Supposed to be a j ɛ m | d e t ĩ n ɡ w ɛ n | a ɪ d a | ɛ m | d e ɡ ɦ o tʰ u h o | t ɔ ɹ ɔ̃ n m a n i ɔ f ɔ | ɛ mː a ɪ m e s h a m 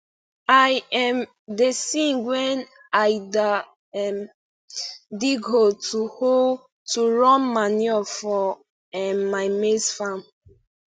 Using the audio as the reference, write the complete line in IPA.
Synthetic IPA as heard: a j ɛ m | d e s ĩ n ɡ w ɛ n | a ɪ d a | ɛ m | d i ɡ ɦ o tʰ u h o | t u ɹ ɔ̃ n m a n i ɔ f ɔ | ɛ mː a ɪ m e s f a m